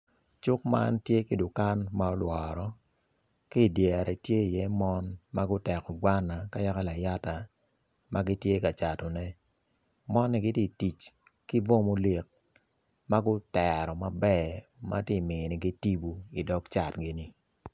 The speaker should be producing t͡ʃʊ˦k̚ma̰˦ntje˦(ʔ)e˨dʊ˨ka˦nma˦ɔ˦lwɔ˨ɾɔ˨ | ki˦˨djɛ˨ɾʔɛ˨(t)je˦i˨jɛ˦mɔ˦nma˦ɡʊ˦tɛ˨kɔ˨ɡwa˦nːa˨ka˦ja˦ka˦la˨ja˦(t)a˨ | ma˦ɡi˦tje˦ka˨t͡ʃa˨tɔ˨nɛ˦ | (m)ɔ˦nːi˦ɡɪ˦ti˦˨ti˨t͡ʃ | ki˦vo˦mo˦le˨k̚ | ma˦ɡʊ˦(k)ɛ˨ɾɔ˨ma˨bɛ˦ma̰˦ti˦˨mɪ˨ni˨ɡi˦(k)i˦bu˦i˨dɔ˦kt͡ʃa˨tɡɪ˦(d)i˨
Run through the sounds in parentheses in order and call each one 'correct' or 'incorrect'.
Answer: incorrect, correct, correct, correct, incorrect, incorrect, incorrect

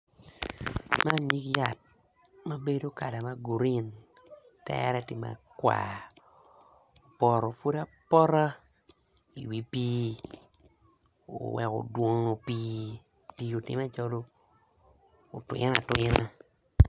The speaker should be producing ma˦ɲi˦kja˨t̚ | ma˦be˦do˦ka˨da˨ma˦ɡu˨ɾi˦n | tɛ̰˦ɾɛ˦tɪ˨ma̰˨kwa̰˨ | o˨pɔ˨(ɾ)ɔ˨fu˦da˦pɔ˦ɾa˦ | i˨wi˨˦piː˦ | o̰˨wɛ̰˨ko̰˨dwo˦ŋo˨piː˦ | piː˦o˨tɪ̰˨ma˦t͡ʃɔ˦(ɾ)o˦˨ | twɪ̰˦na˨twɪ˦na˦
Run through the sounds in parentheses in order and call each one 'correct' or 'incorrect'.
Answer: correct, incorrect

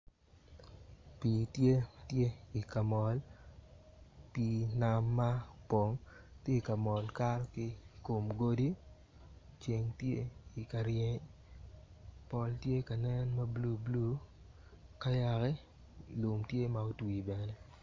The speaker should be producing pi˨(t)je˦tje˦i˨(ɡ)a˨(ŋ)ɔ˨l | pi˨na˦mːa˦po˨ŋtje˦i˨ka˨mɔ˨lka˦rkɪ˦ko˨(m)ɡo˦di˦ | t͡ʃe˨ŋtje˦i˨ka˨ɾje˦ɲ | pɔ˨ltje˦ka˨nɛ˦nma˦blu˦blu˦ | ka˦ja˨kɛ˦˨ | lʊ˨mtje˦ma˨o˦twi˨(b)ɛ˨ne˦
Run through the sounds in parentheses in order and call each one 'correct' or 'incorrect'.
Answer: correct, incorrect, incorrect, correct, correct

